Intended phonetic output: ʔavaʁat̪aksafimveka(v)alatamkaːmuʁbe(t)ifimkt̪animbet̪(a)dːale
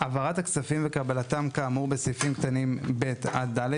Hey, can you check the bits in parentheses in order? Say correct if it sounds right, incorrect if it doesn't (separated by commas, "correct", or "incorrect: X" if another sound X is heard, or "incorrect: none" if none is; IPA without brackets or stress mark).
incorrect: b, incorrect: s, correct